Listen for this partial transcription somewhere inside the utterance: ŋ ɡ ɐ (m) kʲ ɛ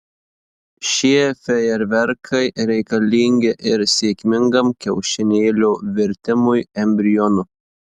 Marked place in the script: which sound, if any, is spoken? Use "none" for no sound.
m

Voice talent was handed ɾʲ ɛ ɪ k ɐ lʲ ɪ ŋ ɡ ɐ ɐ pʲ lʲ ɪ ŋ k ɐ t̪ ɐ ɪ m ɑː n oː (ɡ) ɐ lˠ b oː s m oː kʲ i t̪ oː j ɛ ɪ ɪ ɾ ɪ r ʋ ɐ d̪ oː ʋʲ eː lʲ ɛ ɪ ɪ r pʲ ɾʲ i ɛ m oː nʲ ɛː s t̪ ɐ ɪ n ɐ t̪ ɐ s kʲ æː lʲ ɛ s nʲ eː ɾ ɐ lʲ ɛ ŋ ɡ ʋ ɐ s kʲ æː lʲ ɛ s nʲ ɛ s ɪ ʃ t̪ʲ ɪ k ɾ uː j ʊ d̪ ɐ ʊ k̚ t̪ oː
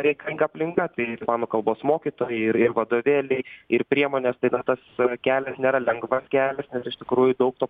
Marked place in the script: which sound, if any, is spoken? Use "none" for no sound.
k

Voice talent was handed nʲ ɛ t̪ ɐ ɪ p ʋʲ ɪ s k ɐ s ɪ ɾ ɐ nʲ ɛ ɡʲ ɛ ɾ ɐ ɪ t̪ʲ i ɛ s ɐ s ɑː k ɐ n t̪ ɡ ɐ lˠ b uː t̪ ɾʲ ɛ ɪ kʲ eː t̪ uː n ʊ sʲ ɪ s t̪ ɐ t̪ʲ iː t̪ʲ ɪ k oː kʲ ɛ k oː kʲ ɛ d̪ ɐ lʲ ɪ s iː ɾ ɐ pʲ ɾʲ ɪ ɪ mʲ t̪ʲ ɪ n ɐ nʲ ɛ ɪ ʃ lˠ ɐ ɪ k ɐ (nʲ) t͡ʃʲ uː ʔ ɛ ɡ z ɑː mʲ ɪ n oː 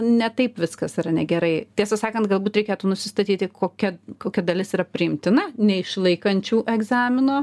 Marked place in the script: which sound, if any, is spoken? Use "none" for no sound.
nʲ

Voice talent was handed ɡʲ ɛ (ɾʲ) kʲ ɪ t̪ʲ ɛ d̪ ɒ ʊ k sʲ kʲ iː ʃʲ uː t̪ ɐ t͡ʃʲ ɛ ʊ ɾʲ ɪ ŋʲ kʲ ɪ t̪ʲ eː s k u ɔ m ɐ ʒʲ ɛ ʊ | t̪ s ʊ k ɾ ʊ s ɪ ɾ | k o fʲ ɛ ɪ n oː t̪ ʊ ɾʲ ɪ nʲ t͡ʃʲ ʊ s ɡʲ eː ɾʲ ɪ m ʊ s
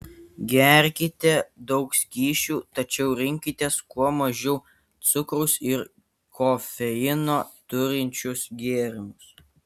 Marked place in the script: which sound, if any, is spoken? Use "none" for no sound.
ɾʲ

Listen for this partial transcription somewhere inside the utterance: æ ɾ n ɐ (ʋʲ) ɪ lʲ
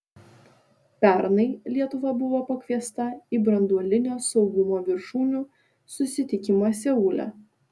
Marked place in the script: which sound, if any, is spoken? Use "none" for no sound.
none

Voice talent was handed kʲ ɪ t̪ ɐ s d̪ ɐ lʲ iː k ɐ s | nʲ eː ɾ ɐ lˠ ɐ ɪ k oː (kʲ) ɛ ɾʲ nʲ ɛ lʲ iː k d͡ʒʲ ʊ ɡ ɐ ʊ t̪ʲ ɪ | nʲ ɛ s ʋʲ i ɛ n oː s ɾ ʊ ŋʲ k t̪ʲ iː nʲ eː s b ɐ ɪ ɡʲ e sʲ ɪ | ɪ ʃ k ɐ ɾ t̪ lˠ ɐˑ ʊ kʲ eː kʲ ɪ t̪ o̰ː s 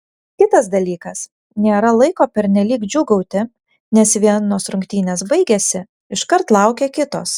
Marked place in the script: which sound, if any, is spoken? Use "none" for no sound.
pʲ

